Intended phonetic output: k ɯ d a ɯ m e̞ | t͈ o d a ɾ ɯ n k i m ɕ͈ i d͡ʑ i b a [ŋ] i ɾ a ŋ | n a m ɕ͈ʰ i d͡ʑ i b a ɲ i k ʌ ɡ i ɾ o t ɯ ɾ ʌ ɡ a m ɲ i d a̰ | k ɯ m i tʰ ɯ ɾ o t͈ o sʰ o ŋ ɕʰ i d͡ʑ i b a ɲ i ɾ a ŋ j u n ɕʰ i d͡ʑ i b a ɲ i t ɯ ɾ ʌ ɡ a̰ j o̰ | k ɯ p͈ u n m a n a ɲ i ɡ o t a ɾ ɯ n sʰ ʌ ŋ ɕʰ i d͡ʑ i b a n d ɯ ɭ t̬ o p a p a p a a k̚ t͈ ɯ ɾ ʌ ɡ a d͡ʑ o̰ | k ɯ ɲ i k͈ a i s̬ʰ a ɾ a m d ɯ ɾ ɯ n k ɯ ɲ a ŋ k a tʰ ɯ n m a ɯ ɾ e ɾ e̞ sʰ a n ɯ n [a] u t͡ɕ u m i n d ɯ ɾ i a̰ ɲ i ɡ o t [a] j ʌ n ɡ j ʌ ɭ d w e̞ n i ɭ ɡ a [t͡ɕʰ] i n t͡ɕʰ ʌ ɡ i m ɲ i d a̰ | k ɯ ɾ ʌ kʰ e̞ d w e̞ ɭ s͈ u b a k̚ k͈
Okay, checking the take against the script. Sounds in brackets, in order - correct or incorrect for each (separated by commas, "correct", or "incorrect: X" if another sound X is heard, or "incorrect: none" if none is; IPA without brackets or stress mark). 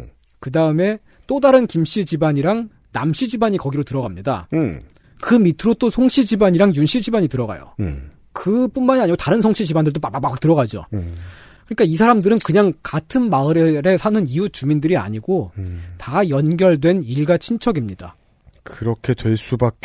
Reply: incorrect: ɲ, incorrect: i, correct, correct